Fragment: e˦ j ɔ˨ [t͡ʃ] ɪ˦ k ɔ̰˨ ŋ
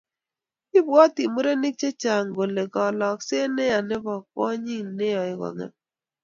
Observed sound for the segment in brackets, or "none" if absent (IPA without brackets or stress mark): none